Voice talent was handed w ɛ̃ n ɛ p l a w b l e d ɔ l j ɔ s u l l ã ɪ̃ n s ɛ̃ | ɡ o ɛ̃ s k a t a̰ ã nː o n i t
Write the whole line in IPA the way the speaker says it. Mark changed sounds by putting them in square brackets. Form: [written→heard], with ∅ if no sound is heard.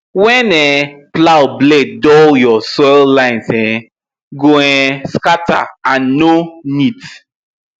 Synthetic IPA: w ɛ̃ n ɛ p l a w b l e d ɔ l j ɔ s [u→ɔ] l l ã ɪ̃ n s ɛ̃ | ɡ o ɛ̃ s k a t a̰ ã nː o n i t